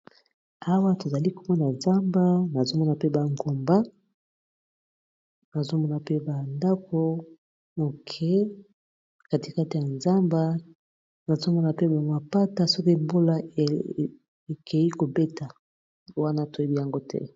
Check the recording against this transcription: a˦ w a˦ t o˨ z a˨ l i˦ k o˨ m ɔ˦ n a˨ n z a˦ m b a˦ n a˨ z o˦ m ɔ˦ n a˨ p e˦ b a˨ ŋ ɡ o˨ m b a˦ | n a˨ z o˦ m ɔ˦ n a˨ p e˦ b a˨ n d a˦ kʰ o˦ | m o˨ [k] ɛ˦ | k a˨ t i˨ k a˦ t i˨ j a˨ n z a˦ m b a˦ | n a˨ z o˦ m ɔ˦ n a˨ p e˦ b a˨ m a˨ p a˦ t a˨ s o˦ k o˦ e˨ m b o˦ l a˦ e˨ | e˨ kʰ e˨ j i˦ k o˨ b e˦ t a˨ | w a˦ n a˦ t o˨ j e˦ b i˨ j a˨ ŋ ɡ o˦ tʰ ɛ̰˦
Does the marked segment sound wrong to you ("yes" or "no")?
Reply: yes